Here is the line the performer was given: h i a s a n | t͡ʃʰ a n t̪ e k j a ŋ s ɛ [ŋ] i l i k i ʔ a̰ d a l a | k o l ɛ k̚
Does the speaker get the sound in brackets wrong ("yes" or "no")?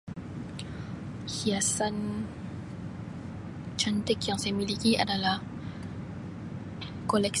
yes